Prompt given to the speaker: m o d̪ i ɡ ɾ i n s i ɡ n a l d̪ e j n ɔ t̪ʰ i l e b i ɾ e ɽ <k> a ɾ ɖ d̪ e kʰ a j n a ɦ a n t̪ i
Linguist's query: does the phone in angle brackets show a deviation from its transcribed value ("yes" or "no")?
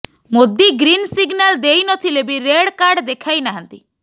no